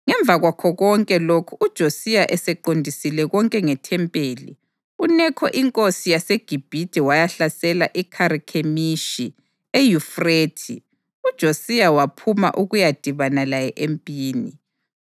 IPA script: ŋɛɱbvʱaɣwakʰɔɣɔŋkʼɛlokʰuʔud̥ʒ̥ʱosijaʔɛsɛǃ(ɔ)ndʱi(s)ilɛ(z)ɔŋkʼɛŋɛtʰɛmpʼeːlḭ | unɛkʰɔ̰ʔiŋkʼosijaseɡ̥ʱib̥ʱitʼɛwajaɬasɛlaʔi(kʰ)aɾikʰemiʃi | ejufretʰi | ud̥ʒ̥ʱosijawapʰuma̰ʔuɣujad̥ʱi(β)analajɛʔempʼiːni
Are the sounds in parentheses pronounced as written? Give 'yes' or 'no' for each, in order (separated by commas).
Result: no, yes, no, yes, yes